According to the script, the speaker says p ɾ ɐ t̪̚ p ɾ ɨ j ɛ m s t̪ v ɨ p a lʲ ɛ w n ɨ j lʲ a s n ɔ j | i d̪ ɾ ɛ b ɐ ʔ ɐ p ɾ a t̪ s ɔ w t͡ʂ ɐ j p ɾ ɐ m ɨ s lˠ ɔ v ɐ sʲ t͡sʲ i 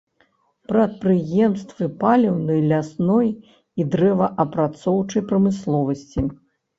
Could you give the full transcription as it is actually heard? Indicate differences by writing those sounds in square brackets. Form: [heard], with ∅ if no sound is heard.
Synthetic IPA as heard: p ɾ ɐ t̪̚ p ɾ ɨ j ɛ m s t̪ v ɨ p a lʲ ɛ w n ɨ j lʲ a s n ɔ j | i d̪ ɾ ɛ [v] ɐ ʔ ɐ p ɾ a t̪ s ɔ w t͡ʂ ɐ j p ɾ ɐ m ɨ s lˠ ɔ v ɐ sʲ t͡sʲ i